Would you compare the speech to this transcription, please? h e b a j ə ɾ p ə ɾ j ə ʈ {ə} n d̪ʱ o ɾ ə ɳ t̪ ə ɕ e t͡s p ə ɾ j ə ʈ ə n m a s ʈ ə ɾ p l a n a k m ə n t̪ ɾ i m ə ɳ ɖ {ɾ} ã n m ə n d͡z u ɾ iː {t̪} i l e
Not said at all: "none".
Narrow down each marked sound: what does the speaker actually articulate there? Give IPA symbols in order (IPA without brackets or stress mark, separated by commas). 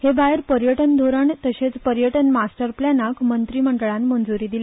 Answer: ə, ɭ, d̪